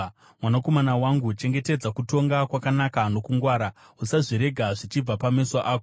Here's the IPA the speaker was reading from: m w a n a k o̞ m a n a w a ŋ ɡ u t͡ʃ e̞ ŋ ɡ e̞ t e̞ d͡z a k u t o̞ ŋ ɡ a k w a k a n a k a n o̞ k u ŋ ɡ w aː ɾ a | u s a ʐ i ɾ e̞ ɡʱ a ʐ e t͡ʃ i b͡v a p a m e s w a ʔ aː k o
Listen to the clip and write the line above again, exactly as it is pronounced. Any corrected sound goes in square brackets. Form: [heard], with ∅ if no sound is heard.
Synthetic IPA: m w a n a k o̞ m a n a w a ŋ ɡ u t͡ʃ e̞ ŋ ɡ e̞ t e̞ d͡z a k u t o̞ ŋ ɡ a k w a k a n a k a n o̞ k u ŋ ɡ w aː ɾ a | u s a ʐ i ɾ e̞ ɡʱ a ʐ [i] t͡ʃ i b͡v a p a m e s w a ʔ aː k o